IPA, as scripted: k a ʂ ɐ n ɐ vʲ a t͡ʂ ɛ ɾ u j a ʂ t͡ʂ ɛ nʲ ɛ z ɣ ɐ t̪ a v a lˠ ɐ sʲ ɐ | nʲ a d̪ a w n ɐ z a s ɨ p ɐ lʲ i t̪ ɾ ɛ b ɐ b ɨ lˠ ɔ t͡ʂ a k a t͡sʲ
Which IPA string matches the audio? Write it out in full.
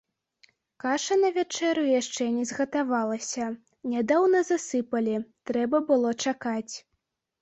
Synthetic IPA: k a ʂ ɐ n ɐ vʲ a t͡ʂ ɛ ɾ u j a ʂ t͡ʂ ɛ nʲ ɛ z ɣ ɐ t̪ a v a lˠ ɐ sʲ ɐ | nʲ a d̪ a w n ɐ z a s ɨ p ɐ lʲ i t̪ ɾ ɛ b ɐ b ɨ lˠ ɔ t͡ʂ a k a t͡sʲ